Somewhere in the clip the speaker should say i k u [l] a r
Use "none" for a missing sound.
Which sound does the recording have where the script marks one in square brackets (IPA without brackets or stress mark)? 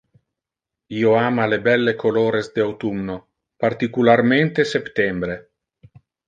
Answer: l